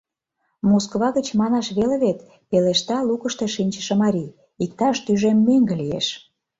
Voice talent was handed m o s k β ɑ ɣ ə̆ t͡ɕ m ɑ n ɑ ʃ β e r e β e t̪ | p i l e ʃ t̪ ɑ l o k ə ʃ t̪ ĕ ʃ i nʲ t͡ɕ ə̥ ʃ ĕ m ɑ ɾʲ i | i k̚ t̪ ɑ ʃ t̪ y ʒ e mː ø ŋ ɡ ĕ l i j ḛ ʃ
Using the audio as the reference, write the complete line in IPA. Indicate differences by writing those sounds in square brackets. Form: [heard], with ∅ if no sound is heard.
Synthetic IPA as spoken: m o s k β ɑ ɣ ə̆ t͡ɕ m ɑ n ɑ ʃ β e [l] e β e t̪ | p [e] l e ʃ t̪ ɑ l [u] k ə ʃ t̪ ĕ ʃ i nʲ t͡ɕ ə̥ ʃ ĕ m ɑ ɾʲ i | i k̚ t̪ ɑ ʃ t̪ y ʒ e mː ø ŋ ɡ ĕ l i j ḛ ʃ